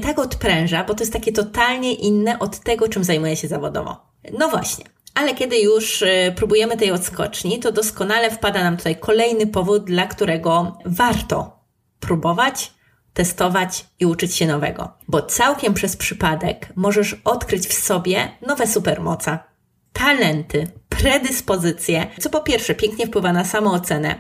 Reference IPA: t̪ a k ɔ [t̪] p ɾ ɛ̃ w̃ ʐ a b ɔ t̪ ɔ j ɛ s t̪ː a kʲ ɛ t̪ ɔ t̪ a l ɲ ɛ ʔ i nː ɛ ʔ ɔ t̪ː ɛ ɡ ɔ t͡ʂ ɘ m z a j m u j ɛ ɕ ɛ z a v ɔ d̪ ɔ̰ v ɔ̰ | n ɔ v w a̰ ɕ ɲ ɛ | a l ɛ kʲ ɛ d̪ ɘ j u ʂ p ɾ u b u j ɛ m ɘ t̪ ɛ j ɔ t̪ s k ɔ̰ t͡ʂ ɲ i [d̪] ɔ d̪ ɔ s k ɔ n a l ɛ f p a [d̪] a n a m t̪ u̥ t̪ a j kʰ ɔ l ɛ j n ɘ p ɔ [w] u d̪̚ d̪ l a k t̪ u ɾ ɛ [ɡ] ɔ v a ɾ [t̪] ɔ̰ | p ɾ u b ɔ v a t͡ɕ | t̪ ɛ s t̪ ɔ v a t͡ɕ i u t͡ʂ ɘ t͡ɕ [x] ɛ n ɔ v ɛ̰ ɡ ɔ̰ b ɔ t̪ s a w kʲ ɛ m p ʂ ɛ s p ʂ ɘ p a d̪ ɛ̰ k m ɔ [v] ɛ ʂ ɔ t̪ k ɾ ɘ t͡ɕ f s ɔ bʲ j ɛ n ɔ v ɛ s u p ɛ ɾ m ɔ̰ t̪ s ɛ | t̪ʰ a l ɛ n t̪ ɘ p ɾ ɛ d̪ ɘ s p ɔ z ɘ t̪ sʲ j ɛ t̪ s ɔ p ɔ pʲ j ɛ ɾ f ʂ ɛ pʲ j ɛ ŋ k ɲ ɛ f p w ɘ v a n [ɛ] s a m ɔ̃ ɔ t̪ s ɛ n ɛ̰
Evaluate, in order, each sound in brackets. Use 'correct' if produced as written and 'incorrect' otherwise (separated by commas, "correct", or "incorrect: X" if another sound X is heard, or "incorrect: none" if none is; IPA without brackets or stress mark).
correct, incorrect: t̪, correct, incorrect: v, correct, correct, incorrect: ɕ, incorrect: ʐ, incorrect: a